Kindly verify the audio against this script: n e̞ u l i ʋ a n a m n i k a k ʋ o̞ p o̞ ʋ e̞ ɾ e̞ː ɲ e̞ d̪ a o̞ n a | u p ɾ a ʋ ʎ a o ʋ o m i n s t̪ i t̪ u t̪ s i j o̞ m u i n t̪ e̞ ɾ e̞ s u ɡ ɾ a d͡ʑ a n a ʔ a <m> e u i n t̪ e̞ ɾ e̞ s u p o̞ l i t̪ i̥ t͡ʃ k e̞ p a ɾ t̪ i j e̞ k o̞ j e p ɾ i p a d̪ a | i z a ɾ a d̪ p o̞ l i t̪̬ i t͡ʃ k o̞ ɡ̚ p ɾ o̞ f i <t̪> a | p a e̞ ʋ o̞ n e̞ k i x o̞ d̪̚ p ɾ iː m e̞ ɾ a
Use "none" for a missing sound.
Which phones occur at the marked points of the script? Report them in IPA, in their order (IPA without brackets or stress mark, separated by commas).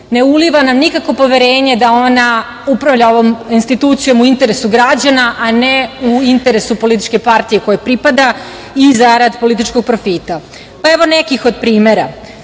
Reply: n, t̪